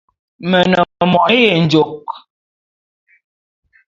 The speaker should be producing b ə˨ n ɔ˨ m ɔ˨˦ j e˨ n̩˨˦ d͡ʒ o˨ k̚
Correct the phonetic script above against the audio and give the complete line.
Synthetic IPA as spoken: m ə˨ n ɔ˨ m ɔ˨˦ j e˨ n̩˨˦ d͡ʒ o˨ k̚